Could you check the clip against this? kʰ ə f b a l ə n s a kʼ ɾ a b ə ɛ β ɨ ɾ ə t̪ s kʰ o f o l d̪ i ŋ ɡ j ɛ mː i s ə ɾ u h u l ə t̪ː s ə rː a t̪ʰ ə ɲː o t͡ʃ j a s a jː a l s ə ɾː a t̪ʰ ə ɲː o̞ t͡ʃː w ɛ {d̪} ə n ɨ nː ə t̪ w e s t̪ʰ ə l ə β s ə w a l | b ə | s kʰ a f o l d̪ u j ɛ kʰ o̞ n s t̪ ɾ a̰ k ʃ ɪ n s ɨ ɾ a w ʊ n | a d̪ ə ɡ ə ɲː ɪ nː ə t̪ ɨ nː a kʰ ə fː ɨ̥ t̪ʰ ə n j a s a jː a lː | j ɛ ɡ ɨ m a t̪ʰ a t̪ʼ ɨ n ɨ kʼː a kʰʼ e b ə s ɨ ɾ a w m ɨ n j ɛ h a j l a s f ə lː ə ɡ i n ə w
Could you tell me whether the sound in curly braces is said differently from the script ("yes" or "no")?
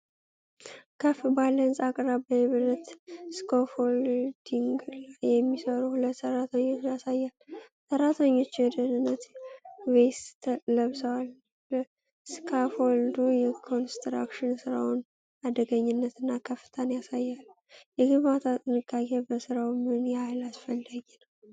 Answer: no